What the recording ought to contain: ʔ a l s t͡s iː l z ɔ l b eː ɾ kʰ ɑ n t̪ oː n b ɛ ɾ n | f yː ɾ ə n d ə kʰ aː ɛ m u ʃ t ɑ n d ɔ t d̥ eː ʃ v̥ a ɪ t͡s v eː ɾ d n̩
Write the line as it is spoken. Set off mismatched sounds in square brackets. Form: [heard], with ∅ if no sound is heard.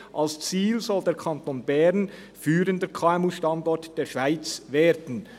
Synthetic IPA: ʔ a l s t͡s iː l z ɔ l [d] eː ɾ kʰ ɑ n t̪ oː n b ɛ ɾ n | f yː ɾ ə n d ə kʰ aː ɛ m u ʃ t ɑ n d ɔ t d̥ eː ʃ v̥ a ɪ t͡s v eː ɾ d n̩